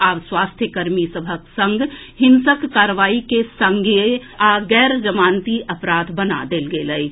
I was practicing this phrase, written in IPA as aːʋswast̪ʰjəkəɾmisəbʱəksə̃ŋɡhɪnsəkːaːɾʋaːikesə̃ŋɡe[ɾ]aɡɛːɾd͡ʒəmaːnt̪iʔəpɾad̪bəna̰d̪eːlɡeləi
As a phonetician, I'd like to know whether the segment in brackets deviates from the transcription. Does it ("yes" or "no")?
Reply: yes